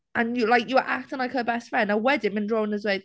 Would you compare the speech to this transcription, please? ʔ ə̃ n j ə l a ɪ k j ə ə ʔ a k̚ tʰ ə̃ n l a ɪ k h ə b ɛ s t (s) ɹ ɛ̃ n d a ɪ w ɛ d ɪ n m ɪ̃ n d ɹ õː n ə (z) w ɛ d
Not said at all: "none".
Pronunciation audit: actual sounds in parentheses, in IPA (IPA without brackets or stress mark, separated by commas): f, z